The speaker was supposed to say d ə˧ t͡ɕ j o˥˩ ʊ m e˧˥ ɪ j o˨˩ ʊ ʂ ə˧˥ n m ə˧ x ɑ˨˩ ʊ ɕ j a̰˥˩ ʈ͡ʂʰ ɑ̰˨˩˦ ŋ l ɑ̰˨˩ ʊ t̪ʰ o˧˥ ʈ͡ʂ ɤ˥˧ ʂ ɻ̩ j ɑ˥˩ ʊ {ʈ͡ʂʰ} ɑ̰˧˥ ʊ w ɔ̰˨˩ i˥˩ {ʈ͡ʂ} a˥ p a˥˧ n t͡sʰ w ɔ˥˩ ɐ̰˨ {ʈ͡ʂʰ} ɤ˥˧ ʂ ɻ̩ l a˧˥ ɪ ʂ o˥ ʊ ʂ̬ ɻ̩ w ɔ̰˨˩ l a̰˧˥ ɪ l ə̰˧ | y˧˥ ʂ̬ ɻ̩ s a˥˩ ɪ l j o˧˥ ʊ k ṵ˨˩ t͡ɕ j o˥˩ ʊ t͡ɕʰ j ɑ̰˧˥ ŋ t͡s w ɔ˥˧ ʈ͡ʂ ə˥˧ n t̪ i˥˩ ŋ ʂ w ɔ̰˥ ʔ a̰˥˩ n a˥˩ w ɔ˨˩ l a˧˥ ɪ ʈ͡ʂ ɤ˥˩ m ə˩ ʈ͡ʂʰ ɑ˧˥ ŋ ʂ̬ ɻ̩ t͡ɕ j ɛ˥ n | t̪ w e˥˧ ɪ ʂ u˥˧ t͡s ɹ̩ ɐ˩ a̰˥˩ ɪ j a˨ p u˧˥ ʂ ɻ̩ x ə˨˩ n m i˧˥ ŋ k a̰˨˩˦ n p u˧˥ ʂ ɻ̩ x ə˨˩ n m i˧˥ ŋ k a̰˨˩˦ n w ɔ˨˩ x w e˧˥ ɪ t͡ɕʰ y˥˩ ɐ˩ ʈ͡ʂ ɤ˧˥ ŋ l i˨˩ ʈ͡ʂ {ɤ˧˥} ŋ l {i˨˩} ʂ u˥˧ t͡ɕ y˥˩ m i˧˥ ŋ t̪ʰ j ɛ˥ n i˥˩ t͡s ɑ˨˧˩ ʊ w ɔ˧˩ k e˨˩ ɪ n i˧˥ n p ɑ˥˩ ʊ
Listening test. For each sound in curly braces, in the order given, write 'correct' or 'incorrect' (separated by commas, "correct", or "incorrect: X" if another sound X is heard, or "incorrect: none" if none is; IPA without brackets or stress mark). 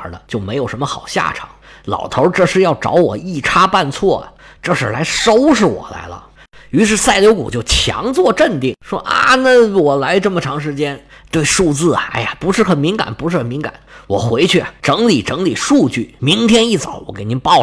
incorrect: ʈ͡ʂ, incorrect: ʈ͡ʂʰ, incorrect: ʈ͡ʂ, correct, correct